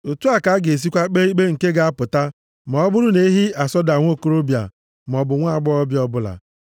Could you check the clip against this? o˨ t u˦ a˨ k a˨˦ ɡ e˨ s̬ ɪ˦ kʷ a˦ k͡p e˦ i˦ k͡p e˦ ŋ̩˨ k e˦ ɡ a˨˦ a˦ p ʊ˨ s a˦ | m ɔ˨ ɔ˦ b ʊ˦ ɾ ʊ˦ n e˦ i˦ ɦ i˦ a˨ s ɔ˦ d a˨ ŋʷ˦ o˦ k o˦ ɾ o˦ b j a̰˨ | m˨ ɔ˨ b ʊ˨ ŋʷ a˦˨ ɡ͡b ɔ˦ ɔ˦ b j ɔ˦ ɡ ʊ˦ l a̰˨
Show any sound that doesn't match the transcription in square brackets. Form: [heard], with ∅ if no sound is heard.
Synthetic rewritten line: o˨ t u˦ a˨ k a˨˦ ɡ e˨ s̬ [i˦] kʷ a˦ k͡p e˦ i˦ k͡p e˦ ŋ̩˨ k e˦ ɡ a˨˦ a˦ p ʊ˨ [t] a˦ | m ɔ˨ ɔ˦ b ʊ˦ ɾ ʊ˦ n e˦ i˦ ɦ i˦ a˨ s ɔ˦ d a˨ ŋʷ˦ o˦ k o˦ ɾ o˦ b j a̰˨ | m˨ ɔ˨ b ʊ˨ ŋʷ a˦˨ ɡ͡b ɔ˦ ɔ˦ b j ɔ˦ [b] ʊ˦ l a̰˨